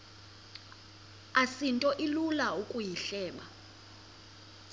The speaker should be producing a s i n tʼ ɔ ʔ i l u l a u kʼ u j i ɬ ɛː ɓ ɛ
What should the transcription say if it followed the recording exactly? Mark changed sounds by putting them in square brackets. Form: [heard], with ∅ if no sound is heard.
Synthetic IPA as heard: a s i n tʼ ɔ ʔ i l u l a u kʼ u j i ɬ ɛː ɓ [a]